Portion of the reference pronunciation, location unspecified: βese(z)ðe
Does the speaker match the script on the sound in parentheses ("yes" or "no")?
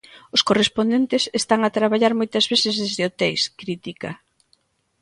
yes